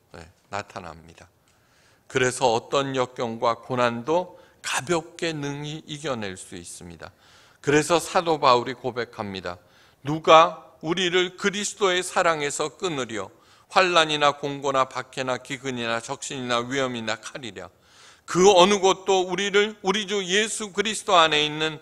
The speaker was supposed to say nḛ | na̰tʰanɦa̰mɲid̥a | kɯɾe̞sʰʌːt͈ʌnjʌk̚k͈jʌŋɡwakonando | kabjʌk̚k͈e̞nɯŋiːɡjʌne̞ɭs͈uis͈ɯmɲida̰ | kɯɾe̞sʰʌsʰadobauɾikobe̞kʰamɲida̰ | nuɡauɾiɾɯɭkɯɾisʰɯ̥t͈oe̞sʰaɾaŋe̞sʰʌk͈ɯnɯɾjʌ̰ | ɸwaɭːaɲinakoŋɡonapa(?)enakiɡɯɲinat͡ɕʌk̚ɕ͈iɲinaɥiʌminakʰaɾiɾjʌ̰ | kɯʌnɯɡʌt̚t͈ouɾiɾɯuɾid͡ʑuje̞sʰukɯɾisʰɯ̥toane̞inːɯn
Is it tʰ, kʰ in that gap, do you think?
kʰ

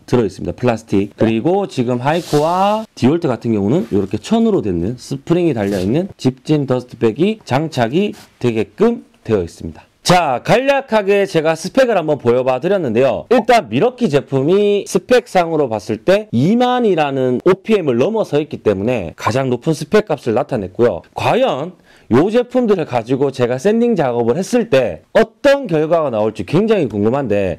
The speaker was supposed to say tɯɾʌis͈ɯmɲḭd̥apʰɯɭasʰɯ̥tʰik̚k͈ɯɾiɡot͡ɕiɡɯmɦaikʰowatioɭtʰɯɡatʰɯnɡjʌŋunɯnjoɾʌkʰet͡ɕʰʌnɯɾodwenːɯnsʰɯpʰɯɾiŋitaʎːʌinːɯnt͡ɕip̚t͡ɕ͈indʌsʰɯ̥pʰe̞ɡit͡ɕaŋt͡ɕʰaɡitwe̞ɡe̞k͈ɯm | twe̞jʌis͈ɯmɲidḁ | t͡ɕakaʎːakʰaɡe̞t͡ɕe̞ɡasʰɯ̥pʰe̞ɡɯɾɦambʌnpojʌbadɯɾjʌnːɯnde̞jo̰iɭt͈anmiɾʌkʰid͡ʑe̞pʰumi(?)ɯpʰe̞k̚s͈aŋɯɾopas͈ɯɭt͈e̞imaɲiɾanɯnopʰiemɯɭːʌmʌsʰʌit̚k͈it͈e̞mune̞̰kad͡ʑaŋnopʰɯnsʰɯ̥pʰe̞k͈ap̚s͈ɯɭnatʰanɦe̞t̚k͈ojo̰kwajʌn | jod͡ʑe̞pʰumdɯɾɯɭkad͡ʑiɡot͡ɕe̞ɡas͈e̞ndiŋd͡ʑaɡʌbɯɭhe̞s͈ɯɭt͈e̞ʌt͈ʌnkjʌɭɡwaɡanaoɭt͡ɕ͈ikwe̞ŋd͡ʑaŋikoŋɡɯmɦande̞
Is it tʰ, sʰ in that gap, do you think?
sʰ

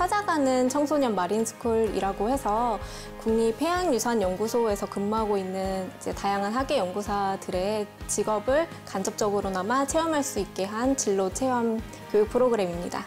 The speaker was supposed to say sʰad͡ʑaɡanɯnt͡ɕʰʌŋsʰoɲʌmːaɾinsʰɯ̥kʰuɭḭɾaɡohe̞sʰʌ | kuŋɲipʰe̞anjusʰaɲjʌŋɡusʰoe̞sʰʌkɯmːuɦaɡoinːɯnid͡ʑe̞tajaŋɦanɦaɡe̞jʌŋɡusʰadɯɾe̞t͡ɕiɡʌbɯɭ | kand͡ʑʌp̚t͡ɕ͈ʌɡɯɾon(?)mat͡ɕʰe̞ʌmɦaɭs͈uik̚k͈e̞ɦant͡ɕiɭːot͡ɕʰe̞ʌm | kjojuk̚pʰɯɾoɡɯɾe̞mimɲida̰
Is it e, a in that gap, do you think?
a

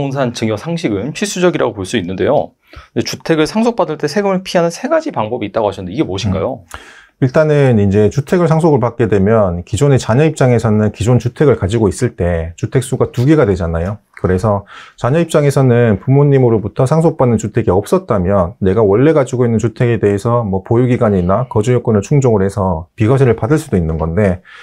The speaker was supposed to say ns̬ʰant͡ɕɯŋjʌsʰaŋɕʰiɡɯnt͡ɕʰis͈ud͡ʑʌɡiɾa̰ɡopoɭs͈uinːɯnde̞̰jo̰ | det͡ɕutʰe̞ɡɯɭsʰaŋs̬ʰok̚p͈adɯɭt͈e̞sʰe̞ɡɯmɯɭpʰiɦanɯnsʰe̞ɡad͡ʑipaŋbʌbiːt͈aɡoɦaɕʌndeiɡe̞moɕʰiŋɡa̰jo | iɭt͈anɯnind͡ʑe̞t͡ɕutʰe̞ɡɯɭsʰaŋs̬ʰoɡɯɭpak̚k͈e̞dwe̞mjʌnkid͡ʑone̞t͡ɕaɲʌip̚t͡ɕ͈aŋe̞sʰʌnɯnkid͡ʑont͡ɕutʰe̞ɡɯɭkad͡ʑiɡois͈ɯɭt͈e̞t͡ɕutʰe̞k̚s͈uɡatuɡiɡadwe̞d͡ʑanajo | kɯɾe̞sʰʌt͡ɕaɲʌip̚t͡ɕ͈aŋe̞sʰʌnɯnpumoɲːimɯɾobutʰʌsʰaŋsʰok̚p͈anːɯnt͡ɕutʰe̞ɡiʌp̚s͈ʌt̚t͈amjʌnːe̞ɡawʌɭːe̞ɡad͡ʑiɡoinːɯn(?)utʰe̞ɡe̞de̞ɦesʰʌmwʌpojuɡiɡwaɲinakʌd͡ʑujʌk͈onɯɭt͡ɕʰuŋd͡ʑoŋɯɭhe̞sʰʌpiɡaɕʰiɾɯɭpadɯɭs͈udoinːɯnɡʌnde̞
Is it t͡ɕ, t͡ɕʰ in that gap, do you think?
t͡ɕ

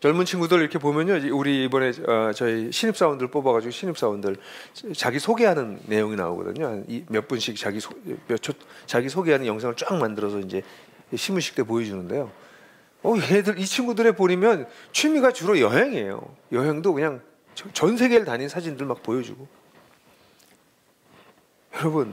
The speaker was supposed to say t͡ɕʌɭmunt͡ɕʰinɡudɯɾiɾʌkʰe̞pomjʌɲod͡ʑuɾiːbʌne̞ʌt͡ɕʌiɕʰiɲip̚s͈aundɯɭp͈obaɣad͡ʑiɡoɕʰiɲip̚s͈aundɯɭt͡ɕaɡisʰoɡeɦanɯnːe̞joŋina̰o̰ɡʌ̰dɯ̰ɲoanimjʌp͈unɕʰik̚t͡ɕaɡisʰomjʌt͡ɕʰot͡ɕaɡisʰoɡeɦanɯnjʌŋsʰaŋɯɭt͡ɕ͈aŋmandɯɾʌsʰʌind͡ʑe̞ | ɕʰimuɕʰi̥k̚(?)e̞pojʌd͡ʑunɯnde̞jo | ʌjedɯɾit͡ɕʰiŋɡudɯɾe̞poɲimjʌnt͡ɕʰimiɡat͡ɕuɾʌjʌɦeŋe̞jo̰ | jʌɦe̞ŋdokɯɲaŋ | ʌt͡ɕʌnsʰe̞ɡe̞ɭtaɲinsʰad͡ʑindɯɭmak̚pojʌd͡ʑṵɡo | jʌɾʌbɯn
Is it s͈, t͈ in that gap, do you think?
t͈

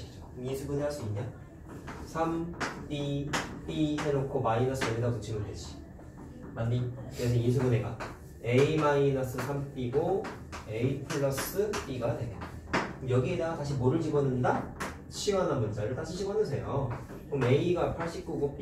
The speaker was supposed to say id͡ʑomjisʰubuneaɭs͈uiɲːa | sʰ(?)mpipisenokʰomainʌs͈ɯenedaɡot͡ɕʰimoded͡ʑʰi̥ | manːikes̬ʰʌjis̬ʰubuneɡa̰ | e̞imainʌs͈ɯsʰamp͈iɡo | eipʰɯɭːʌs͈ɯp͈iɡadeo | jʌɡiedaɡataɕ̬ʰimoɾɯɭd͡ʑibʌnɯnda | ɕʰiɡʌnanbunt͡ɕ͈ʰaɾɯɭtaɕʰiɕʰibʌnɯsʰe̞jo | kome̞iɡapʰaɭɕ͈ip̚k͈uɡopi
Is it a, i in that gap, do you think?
a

